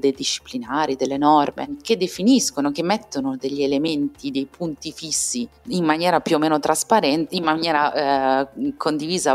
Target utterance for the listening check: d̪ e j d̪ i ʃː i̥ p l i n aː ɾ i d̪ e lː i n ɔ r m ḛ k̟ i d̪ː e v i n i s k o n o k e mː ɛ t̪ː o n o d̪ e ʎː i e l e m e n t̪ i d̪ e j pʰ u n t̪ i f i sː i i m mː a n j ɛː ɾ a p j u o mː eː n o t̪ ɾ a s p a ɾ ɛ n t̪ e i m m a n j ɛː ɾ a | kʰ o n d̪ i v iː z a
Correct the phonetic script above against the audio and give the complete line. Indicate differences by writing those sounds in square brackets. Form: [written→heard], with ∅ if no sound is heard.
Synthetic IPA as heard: d̪ e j d̪ i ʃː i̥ p l i n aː ɾ i d̪ e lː [i→e] n ɔ r m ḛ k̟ [i→e] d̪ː e [v→f] i n i s k o n o k e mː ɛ t̪ː o n o d̪ e ʎː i e l e m e n t̪ i d̪ e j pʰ u n t̪ i f i sː i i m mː a n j ɛː ɾ a p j u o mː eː n o t̪ ɾ a s p a ɾ ɛ n t̪ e i m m a n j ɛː ɾ a | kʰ o n d̪ i v iː z a